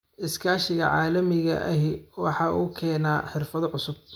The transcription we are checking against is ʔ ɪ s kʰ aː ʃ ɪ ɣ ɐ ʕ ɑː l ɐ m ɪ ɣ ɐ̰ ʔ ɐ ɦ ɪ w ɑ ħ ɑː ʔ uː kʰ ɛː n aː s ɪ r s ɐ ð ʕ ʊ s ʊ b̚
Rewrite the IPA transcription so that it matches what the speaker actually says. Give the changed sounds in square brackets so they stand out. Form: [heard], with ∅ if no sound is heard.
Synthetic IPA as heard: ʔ ɪ s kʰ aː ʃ ɪ ɣ ɐ ʕ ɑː l ɐ m ɪ ɣ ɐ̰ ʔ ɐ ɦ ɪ w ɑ ħ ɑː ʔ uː kʰ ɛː n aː [ħ] ɪ r [f] ɐ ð ʕ ʊ s ʊ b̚